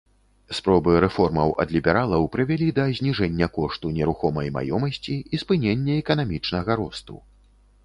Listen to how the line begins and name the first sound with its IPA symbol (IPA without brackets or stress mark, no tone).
s